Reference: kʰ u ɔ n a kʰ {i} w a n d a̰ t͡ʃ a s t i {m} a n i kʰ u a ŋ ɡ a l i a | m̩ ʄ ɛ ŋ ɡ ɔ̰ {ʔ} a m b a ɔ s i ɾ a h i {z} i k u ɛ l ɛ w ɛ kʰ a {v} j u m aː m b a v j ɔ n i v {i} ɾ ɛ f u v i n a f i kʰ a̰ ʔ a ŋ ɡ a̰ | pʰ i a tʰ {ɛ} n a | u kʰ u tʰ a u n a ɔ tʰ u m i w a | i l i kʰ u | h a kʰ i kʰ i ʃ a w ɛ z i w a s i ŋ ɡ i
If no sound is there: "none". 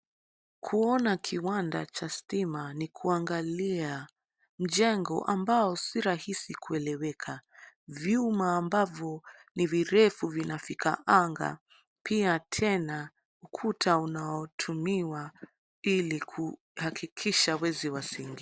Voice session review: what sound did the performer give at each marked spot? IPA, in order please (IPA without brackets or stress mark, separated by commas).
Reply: i, m, ʔ, s, v, i, ɛ